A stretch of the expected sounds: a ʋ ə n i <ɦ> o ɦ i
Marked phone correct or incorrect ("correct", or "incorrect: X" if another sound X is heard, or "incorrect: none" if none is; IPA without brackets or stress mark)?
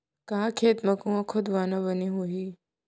correct